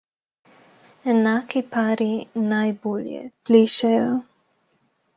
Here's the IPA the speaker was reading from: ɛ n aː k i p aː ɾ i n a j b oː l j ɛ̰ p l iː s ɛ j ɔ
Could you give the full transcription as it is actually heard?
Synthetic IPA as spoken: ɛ n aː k i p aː ɾ i n a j b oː l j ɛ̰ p l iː ʃ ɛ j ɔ

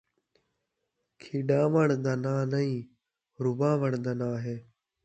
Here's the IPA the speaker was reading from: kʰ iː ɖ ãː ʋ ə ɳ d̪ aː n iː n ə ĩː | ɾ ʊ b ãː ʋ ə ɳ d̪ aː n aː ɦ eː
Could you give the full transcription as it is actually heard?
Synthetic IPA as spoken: kʰ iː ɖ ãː ʋ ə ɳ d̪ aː n aː n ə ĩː | ɾ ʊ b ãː ʋ ə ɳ d̪ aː n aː ɦ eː

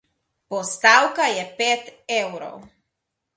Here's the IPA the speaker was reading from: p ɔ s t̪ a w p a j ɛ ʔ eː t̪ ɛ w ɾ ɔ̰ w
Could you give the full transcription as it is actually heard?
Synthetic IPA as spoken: p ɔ s t̪ a w k a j ɛ p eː t̪ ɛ w ɾ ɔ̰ w

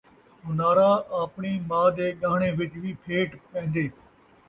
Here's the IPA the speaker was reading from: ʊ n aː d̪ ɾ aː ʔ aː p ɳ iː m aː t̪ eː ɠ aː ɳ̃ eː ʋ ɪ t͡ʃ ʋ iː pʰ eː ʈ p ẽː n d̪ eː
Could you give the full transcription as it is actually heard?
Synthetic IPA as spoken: ʊ n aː ɾ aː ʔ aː p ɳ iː m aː d̪ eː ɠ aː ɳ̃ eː ʋ ɪ t͡ʃ ʋ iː pʰ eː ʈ p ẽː n d̪ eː

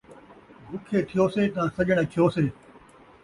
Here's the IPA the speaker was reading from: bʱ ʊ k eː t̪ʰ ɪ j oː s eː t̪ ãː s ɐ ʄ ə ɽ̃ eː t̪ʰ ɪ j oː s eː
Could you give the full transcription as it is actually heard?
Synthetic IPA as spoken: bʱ ʊ kʰ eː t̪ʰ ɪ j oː s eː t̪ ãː s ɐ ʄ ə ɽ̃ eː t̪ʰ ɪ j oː s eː

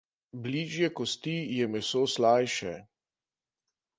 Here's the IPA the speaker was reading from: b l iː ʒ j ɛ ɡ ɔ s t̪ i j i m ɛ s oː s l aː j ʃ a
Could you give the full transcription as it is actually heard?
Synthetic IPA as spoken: b l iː ʒ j ɛ k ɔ s t̪ i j ɛ m ɛ s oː s l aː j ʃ ɛ

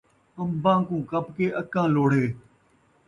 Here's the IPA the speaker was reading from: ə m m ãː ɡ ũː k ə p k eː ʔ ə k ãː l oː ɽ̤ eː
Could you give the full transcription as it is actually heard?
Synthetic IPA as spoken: ə m b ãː k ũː k ə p k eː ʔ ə k ãː l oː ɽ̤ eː

